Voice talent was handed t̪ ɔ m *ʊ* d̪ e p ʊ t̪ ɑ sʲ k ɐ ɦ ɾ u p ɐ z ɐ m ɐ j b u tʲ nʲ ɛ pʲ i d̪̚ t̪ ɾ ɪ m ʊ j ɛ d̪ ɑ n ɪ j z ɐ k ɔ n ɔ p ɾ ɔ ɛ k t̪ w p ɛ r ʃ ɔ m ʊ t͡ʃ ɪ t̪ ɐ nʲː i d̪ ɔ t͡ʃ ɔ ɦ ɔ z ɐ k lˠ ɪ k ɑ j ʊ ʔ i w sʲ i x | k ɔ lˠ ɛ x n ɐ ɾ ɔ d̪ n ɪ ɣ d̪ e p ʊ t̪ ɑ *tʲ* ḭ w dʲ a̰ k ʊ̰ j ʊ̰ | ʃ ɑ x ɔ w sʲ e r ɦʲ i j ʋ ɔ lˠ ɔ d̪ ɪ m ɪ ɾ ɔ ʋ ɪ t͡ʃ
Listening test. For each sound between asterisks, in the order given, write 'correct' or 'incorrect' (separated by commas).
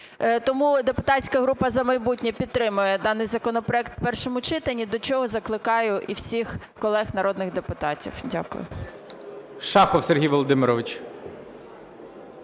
incorrect, correct